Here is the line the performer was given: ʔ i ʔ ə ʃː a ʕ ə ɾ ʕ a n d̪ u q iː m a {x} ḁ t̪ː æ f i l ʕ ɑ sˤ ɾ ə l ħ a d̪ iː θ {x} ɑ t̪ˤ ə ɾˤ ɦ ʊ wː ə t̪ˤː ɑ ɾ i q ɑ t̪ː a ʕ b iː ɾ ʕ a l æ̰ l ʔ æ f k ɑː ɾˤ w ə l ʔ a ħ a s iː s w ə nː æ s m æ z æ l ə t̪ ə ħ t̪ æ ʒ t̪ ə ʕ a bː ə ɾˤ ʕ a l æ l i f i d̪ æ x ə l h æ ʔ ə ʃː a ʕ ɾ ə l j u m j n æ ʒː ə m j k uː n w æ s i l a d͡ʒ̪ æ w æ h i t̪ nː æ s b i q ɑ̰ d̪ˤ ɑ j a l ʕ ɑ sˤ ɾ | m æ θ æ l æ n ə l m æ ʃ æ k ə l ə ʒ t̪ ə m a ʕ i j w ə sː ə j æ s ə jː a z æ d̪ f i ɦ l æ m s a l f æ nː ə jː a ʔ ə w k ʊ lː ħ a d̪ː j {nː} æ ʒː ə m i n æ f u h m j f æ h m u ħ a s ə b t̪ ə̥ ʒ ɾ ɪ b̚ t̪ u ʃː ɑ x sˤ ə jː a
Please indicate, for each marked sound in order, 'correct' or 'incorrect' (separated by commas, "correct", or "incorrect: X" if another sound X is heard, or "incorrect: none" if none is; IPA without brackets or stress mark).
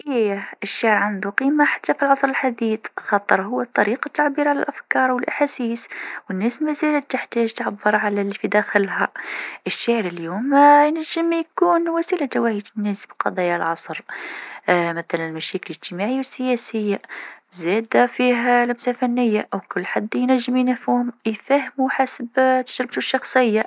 incorrect: ħ, correct, incorrect: n